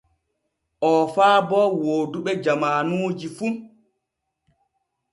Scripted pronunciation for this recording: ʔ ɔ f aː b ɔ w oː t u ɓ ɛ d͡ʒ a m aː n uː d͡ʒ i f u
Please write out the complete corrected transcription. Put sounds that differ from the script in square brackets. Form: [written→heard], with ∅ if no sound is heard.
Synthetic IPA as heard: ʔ ɔ f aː b ɔ w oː [t→d] u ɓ ɛ d͡ʒ a m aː n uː d͡ʒ i f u